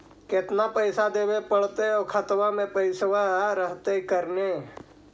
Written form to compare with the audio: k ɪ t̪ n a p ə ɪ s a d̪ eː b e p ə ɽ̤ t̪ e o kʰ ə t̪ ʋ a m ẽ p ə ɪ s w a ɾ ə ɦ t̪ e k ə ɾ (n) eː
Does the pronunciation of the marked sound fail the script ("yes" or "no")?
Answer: no